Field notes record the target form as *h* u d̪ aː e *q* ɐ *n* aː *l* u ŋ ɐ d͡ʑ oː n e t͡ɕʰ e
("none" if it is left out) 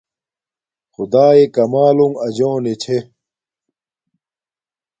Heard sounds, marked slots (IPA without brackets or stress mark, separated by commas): x, k, m, l